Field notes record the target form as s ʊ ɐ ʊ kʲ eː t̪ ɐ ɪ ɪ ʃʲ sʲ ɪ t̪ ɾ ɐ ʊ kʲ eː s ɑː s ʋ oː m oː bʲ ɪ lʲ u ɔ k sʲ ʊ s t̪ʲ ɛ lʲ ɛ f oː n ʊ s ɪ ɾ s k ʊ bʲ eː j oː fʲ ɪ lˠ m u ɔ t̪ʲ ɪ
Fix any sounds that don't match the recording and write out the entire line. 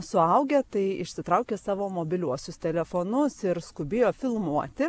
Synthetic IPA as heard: s ʊ ɐ ʊ ɡʲ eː t̪ ɐ ɪ ɪ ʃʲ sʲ ɪ t̪ ɾ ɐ ʊ kʲ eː s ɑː ʋ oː m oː bʲ ɪ lʲ u ɔ sʲ ʊ s t̪ʲ ɛ lʲ ɛ f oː n ʊ s ɪ ɾ s k ʊ bʲ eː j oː fʲ ɪ lˠ m u ɔ t̪ʲ ɪ